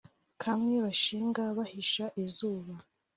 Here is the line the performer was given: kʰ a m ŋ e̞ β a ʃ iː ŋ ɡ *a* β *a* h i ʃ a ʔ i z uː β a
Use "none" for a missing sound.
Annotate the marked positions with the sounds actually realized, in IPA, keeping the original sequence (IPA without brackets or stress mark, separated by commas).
a, a